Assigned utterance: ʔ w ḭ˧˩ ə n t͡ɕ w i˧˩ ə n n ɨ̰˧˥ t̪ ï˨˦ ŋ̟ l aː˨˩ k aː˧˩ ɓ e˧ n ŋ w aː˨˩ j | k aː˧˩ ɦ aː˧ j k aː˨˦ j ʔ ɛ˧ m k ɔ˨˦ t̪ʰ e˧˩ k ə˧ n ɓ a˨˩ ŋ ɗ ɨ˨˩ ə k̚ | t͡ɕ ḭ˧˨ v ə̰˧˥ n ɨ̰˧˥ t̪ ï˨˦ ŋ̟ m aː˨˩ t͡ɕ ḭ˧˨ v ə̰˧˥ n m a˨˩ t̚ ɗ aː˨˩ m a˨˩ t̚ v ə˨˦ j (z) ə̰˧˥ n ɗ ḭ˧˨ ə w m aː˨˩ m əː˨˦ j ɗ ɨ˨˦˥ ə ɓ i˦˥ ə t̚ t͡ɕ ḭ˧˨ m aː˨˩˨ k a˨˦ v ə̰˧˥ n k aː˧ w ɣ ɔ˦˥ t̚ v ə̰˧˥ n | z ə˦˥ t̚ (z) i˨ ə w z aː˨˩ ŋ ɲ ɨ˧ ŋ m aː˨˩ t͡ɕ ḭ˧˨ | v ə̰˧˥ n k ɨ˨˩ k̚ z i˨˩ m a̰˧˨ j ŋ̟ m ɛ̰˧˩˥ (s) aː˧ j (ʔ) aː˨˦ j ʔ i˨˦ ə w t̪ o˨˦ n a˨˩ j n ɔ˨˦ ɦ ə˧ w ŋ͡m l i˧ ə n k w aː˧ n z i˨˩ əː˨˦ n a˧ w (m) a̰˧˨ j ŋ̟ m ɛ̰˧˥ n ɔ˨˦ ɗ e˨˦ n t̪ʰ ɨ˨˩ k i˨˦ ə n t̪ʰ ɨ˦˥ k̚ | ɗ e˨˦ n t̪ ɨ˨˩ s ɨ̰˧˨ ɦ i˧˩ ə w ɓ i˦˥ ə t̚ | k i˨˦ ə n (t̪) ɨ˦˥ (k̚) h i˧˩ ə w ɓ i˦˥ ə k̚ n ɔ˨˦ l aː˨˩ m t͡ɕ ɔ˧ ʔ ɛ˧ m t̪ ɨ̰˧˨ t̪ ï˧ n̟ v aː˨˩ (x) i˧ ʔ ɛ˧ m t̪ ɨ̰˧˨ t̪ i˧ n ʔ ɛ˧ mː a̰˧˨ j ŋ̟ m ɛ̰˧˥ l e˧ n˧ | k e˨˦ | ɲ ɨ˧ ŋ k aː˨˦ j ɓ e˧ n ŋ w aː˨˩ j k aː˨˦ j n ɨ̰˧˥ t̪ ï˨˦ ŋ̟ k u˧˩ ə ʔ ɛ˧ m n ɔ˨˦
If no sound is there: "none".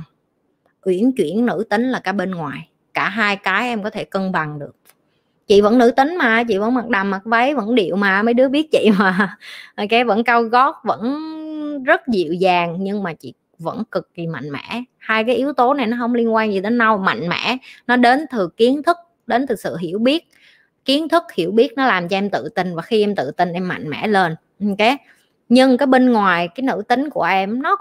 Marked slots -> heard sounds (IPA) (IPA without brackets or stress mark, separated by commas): v, z, h, k, m, t̪ʰ, k̚, x